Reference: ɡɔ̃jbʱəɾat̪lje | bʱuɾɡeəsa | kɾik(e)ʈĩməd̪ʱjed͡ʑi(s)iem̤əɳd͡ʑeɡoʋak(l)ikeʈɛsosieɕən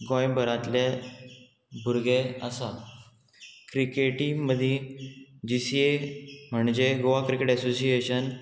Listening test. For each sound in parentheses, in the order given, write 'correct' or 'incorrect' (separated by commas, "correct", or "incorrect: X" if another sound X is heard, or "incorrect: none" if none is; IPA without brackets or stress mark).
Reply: correct, correct, incorrect: ɾ